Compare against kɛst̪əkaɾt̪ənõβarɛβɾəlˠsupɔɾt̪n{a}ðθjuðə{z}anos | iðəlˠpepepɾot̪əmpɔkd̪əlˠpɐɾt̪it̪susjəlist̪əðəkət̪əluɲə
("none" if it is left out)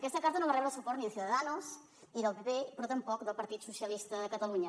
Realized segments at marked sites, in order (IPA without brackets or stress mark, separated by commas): i, ð